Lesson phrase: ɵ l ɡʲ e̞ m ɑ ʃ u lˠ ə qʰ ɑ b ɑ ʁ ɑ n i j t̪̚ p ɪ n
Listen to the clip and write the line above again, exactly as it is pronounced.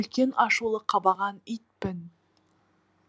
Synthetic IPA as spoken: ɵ l kʲ e̞ n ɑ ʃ u lˠ ə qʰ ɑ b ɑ ʁ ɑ n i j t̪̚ p ɪ n